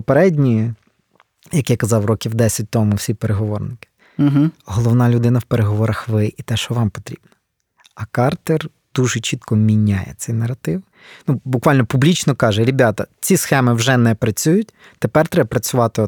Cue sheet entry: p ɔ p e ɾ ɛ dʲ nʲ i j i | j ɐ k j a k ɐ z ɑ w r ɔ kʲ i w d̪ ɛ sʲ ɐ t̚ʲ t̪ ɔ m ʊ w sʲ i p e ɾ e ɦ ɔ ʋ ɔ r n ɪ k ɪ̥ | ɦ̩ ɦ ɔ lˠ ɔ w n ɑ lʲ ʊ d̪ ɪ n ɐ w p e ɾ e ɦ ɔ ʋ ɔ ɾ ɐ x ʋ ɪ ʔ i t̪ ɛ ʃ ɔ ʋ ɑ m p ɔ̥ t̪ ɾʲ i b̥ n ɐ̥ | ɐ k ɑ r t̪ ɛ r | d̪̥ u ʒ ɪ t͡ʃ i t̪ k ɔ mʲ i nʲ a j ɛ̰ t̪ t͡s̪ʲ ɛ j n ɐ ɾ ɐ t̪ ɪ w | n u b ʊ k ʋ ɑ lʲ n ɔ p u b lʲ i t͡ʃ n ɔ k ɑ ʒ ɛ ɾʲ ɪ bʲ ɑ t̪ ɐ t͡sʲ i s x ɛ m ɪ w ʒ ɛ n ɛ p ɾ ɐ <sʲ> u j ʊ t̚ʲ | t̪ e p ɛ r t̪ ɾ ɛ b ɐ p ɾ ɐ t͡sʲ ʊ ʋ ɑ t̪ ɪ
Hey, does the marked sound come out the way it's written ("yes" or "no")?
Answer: no